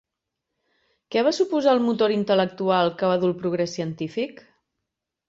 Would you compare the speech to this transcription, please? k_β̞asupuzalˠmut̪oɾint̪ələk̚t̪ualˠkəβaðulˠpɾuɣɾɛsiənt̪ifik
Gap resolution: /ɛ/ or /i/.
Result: ɛ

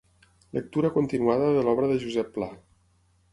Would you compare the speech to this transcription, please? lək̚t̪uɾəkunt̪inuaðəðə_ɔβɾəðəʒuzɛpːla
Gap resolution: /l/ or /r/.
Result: l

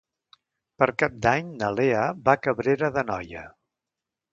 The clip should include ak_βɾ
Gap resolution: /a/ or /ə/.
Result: ə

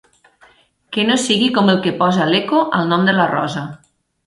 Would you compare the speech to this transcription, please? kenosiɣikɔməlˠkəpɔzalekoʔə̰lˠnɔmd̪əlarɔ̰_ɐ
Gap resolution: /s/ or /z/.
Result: z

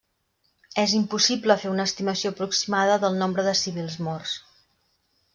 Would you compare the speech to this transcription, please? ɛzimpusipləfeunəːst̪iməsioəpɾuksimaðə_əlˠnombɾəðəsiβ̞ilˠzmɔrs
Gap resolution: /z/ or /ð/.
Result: ð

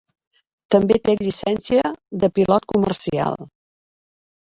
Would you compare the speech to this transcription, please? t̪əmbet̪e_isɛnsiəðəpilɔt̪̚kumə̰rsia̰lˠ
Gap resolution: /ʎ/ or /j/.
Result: ʎ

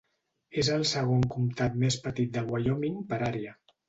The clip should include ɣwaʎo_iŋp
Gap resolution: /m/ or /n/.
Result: m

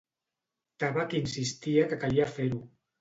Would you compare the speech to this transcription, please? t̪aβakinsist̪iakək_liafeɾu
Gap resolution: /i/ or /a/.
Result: a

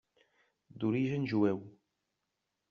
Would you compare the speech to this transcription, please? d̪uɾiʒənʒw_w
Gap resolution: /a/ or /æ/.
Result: æ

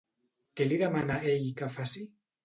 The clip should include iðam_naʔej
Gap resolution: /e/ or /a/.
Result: a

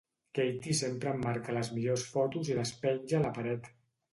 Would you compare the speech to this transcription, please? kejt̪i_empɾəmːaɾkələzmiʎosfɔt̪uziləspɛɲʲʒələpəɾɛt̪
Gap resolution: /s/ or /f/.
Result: s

